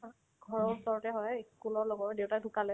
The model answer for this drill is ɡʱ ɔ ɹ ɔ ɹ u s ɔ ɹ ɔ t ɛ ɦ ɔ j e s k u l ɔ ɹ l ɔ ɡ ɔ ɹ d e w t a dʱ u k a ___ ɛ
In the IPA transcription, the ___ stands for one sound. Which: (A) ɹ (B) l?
B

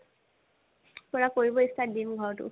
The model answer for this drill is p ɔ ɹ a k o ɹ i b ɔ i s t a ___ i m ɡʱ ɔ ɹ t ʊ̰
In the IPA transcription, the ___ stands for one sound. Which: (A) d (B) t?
A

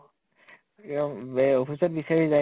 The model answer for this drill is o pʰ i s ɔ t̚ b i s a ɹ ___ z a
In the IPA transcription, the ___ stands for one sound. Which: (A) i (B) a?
A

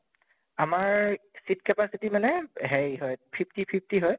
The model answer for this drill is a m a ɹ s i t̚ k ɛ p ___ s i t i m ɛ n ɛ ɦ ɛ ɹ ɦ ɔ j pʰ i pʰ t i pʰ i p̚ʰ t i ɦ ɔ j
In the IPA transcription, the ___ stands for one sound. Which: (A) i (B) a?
B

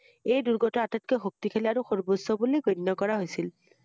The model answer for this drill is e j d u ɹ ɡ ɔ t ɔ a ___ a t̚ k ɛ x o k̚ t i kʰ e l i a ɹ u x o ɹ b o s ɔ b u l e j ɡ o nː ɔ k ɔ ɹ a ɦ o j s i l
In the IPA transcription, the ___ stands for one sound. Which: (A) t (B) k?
A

